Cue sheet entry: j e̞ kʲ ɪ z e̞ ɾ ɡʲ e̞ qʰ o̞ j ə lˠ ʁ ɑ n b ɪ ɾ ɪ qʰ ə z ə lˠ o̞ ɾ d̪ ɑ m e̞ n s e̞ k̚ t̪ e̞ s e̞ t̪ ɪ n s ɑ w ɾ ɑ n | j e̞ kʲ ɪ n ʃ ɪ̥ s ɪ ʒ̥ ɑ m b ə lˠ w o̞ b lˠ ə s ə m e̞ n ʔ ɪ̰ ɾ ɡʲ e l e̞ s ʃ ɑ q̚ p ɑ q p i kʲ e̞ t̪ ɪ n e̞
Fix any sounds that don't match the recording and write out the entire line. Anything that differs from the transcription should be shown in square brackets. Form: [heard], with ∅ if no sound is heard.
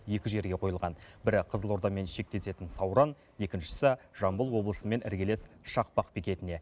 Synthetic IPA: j e̞ kʲ ɪ [ʒ] e̞ ɾ ɡʲ e̞ qʰ o̞ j ə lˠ ʁ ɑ n b ɪ ɾ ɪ qʰ ə z ə lˠ o̞ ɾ d̪ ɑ m e̞ n [ʃ] e̞ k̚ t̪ e̞ s e̞ t̪ ɪ n s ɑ w ɾ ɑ n | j e̞ kʲ ɪ n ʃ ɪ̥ s ɪ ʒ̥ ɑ m b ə lˠ w o̞ b lˠ ə s ə m e̞ n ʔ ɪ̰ ɾ ɡʲ e l e̞ s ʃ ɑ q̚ p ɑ q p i kʲ e̞ t̪ ɪ n e̞